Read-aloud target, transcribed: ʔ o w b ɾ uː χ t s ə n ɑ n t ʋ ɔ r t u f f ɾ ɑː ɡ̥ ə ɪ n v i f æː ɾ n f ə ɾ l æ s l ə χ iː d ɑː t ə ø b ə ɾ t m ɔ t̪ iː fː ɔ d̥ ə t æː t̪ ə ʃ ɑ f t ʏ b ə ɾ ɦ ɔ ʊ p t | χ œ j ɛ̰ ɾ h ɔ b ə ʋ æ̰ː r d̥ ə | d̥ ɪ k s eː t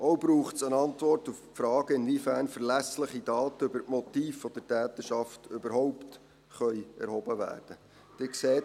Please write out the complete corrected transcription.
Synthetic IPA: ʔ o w b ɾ uː χ t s ə n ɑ n t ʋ ɔ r t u f f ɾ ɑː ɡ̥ ə ɪ n v i f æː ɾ n f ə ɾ l æ s l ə χ i d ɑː t ə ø b ə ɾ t m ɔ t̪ iː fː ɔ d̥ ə t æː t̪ ə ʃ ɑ f t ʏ b ə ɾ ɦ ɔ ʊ p t | χ œ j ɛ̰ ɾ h ɔ b ə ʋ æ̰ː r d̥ ə | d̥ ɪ k s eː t